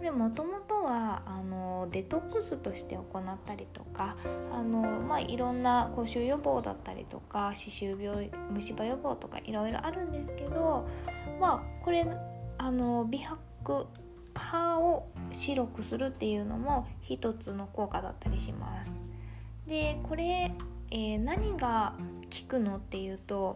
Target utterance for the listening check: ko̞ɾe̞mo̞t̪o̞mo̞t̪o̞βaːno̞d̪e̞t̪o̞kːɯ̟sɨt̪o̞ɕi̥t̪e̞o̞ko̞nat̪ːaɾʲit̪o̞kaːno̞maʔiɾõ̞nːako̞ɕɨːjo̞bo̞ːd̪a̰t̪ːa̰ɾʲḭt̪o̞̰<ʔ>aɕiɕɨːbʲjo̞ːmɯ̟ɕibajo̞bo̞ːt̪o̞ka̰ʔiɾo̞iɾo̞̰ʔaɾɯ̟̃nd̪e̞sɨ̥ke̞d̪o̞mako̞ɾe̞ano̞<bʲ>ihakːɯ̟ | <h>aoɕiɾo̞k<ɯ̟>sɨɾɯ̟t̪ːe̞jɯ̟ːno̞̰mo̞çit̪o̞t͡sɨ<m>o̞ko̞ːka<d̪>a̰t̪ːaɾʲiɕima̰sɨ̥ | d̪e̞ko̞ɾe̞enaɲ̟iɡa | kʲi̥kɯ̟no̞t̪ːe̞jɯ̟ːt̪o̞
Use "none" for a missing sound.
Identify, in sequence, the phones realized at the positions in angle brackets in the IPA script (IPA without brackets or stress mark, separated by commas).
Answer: k, bʲ, h, ɯ̟, n, d̪